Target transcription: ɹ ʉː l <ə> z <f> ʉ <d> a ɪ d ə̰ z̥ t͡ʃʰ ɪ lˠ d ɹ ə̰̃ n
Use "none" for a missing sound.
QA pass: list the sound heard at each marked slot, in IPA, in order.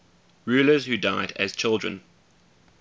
ə, h, d

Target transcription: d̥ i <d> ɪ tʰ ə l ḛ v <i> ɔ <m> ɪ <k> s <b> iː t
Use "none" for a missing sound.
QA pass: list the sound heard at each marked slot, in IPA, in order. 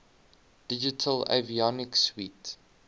d͡ʒ, i, n, k, w

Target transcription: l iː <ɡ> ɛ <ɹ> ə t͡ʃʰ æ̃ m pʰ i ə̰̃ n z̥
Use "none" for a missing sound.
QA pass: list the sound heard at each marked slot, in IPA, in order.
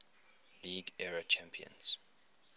ɡ, ɹ

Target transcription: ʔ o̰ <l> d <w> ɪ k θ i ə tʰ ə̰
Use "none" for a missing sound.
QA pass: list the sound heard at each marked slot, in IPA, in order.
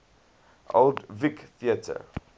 l, v

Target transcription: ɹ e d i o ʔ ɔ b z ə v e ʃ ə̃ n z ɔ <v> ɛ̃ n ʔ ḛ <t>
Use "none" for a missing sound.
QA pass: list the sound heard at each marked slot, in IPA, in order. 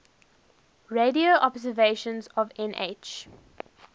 v, t͡ʃ

